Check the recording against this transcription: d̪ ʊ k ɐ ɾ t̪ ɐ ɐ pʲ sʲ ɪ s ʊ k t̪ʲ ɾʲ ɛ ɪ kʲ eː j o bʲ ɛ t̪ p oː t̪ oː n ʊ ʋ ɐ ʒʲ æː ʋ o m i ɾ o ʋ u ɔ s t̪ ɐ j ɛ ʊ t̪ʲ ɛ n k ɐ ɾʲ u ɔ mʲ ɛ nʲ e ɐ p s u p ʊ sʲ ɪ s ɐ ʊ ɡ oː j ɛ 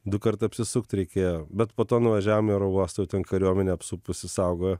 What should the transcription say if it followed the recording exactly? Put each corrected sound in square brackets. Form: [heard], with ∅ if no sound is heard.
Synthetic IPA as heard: d̪ ʊ k ɐ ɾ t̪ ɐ ɐ pʲ sʲ ɪ s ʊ k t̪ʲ ɾʲ ɛ ɪ kʲ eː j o bʲ ɛ t̪ p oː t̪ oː n ʊ ʋ ɐ ʒʲ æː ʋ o m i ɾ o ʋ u ɔ s t̪ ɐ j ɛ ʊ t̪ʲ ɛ n k ɐ ɾʲ u ɔ mʲ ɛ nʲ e ɐ p s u p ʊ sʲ ɪ s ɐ ʊ ɡ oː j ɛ